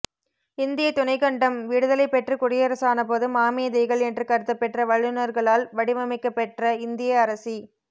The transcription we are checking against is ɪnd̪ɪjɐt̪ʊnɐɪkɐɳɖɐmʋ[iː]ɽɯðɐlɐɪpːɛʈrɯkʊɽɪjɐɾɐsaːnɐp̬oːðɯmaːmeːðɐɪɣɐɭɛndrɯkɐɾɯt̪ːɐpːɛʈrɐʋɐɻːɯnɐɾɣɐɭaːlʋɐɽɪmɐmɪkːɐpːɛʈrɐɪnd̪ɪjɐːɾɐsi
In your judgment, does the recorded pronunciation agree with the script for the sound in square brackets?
yes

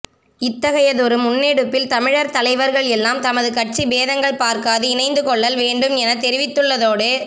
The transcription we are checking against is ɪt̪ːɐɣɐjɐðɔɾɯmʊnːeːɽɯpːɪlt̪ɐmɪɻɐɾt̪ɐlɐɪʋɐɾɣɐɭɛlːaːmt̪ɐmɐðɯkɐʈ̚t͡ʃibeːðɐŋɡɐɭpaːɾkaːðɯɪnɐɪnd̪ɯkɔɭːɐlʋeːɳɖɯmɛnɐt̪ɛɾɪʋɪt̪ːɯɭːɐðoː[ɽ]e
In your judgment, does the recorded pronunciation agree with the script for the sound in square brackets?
yes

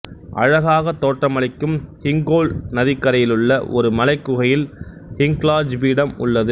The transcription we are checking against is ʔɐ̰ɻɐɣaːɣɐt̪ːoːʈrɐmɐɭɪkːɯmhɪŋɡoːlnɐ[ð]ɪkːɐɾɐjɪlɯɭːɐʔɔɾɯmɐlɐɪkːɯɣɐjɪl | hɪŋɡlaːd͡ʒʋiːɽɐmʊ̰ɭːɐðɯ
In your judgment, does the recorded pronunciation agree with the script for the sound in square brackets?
yes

